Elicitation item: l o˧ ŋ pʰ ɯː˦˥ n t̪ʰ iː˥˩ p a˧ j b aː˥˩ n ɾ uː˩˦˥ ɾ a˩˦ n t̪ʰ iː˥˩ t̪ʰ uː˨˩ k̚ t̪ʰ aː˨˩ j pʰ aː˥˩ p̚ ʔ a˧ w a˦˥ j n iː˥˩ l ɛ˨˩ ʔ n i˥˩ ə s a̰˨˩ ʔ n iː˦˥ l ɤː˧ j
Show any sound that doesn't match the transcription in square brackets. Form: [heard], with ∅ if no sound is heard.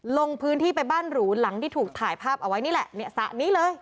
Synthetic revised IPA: l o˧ ŋ pʰ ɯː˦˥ n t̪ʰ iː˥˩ p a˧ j b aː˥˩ n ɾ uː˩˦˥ [l] a˩˦ [ŋ] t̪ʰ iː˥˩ t̪ʰ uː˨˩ k̚ t̪ʰ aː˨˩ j pʰ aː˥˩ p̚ ʔ a˧ w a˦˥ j n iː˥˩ l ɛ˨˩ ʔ n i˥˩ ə s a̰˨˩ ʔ n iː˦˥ l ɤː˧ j